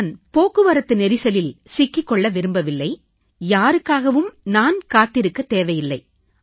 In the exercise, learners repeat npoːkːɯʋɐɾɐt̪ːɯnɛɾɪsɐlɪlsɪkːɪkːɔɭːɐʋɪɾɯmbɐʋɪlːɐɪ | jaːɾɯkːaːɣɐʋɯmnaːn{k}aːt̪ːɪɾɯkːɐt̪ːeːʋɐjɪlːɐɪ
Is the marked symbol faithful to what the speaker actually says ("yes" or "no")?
yes